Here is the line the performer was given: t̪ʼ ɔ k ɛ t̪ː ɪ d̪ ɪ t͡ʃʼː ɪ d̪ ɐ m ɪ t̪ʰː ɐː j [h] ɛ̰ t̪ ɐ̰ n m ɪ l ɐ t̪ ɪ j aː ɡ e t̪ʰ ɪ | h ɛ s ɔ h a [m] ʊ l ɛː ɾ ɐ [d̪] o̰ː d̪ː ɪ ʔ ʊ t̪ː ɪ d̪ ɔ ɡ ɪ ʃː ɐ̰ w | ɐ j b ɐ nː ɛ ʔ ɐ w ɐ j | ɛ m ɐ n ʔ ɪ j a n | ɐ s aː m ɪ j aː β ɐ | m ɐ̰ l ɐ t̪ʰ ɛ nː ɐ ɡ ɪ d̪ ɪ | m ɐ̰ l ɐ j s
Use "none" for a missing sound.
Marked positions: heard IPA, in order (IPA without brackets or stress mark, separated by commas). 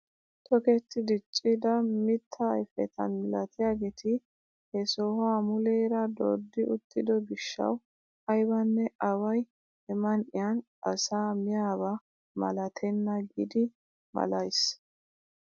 f, m, d̪